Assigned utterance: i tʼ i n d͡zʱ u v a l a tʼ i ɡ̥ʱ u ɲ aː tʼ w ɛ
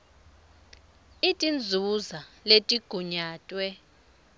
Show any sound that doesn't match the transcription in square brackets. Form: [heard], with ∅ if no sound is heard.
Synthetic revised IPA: i tʼ i n d͡zʱ u [z] a l [e] tʼ i ɡ̥ʱ u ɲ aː tʼ w ɛ